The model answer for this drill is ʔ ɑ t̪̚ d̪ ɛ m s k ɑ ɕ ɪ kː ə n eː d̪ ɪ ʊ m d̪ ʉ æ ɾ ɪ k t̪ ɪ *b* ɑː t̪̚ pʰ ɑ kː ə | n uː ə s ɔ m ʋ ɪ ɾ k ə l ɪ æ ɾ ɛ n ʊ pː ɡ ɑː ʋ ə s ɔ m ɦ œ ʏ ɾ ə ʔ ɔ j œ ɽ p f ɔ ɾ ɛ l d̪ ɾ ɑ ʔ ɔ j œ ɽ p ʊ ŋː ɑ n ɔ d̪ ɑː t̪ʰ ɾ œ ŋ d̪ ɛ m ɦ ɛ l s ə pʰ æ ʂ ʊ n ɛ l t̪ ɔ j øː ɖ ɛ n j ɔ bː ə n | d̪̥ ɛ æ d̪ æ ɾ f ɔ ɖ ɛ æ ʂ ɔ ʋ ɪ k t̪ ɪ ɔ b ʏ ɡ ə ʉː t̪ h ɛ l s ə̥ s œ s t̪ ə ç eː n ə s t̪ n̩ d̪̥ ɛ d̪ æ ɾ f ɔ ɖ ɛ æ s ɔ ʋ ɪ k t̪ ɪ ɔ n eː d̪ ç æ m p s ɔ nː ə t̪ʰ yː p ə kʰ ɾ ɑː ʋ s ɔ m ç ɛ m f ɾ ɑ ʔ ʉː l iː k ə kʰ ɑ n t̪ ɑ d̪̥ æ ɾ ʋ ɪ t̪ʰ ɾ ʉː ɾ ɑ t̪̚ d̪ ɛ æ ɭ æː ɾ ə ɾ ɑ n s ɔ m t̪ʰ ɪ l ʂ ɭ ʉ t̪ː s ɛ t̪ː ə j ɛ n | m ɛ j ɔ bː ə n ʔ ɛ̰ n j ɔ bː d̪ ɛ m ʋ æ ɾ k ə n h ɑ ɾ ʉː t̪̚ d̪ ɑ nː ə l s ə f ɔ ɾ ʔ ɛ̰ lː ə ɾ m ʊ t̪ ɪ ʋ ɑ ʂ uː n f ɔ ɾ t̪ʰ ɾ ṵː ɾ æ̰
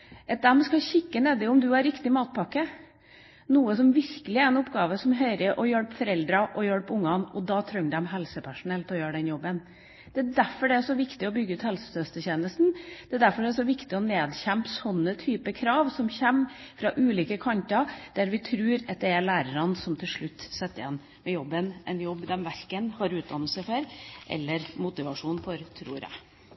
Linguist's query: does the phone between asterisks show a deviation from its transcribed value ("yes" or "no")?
yes